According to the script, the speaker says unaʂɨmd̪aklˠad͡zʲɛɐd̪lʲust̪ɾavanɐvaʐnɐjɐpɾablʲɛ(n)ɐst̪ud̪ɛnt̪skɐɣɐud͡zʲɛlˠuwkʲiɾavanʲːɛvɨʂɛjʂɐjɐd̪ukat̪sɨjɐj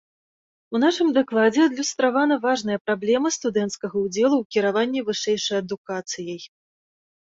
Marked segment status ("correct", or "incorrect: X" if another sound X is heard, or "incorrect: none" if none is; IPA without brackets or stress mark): incorrect: m